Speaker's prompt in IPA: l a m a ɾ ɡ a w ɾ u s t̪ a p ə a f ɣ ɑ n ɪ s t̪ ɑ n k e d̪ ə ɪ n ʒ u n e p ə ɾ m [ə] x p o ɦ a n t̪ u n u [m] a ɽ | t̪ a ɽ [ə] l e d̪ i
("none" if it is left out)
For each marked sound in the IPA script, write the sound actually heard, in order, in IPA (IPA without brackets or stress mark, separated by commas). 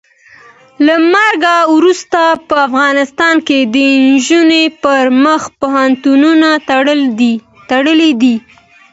ə, n, ə